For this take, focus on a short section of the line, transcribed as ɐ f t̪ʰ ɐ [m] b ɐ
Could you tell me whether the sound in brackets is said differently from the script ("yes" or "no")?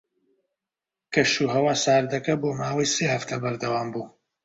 yes